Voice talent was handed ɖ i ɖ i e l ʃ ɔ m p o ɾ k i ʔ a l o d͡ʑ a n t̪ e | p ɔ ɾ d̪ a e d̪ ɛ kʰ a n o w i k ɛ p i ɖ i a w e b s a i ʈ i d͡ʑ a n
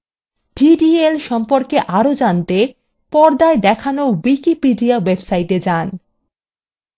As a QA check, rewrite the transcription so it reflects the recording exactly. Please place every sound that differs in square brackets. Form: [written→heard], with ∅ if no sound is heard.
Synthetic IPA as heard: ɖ i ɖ i e l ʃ ɔ m p o ɾ k [i→e] ʔ a [l→ɾ] o d͡ʑ a n t̪ e | p ɔ ɾ d̪ a e d̪ ɛ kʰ a n o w i k [ɛ→i] p i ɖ i a w e b s a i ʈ [i→e] d͡ʑ a n